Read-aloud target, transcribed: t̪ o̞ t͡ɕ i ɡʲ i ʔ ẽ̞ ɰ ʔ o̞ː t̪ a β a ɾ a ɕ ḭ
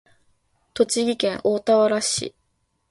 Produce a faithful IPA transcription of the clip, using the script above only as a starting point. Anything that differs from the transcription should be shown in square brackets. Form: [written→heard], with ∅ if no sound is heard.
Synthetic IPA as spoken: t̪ o̞ t͡ɕ i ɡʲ i [ʔ→k] ẽ̞ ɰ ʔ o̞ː t̪ a β a ɾ a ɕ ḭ